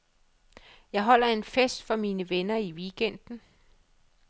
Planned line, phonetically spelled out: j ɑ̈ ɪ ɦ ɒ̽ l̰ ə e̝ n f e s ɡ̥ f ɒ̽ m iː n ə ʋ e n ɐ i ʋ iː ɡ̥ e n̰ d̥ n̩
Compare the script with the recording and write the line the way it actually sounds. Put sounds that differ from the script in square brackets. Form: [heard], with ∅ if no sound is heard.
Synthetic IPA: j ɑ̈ ɪ ɦ ɒ̽ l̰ [ɐ] e̝ n f e s [d̥] f ɒ̽ m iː n ə ʋ e n ɐ i ʋ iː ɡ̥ e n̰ d̥ n̩